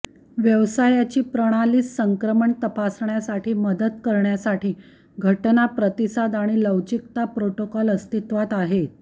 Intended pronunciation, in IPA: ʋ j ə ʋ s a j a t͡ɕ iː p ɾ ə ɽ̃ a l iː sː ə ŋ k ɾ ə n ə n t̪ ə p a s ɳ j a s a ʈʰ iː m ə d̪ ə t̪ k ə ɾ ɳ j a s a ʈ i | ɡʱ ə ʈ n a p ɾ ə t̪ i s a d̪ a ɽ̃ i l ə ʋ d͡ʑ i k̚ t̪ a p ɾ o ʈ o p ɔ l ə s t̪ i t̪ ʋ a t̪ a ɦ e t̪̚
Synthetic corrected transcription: ʋ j ə ʋ s a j a t͡ɕ iː p ɾ ə ɽ̃ a l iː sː ə ŋ k ɾ ə m ə ɳ t̪ ə p a s ɳ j a s a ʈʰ iː m ə d̪ ə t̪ k ə ɾ ɳ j a s a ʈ iː | ɡʱ ə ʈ n a p ɾ ə t̪ i s a d̪ a ɽ̃ i l ə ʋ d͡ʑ i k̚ t̪ a p ɾ o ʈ o k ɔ l ə s t̪ i t̪ ʋ a t̪ a ɦ e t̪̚